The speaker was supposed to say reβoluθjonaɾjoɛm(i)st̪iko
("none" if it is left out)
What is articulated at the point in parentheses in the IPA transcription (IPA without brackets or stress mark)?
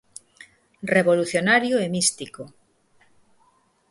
i